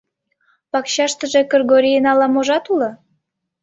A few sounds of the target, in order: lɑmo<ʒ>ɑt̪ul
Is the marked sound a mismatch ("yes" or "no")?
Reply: no